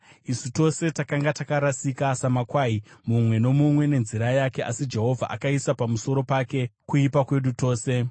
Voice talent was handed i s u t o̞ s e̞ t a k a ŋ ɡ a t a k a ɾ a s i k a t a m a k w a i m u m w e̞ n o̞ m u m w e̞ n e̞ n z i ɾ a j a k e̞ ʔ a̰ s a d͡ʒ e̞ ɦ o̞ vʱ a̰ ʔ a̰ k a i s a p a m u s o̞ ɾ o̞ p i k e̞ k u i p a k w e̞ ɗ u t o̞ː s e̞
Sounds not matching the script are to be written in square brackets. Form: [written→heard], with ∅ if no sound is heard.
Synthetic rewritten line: i s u t o̞ s e̞ t a k a ŋ ɡ a t a k a ɾ a s i k a [t→s] a m a k w a i m u m w e̞ n o̞ m u m w e̞ n e̞ n z i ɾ a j a k e̞ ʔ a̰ s [a→i] d͡ʒ e̞ ɦ o̞ vʱ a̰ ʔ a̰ k a i s a p a m u s o̞ ɾ o̞ p [i→a] k e̞ k u i p a k w e̞ ɗ u t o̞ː s e̞